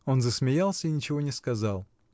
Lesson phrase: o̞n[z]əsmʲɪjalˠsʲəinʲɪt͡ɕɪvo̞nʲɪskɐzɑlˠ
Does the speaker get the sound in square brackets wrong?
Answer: no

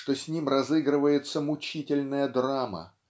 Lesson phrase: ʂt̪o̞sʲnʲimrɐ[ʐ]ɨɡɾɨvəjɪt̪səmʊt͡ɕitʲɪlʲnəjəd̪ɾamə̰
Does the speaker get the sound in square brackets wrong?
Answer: yes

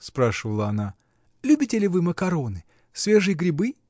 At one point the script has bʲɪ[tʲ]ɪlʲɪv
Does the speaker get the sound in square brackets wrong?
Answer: no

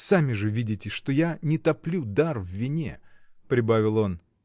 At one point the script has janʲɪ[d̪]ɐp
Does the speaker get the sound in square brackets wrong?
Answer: yes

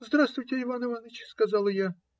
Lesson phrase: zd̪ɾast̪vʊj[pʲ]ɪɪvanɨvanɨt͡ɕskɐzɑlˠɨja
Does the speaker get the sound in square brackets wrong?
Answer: yes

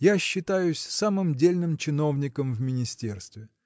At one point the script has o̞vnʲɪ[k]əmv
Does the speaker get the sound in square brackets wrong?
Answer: no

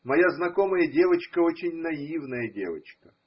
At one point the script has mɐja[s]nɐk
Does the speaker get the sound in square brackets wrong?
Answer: yes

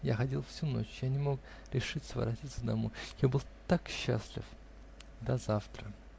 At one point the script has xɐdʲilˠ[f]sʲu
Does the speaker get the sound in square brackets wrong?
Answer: no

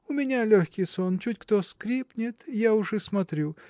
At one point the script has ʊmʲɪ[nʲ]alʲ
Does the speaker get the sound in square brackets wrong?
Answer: no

